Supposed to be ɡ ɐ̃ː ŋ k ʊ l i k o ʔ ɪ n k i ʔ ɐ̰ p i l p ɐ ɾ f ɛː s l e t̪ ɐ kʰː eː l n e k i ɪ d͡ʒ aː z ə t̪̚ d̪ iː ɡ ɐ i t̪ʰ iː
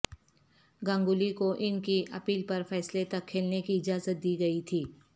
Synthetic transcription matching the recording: ɡ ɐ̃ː ŋ ɡ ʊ l i k o ʔ ɪ n k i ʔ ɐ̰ p iː l p ɐ ɾ f ɛː s l e t̪ ɐ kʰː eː l n e k i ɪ d͡ʒ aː z ə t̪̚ d̪ iː ɡ ɐ i t̪ʰ iː